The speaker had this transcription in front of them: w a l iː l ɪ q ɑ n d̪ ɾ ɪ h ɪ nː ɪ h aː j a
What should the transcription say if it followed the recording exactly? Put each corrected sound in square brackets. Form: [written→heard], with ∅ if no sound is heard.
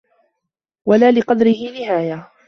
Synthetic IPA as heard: w a l [iː→aː] l ɪ q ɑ [n→∅] d̪ ɾ ɪ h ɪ [nː→n] ɪ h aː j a